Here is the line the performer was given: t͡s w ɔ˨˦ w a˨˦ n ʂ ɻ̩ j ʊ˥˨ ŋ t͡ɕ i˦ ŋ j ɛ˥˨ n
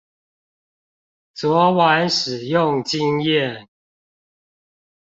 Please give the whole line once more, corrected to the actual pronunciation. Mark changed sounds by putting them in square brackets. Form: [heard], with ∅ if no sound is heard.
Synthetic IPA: t͡s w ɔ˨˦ w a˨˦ n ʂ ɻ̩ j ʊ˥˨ ŋ t͡ɕ i˦ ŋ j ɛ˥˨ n